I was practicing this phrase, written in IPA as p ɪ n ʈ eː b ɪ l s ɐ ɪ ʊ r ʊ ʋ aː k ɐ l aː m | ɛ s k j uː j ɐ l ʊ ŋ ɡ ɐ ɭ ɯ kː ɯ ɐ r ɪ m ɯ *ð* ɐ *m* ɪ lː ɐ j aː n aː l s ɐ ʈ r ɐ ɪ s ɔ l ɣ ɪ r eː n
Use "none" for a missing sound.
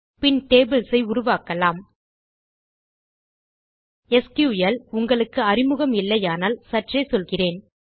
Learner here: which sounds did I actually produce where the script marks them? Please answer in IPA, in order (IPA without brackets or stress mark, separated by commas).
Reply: ɣ, m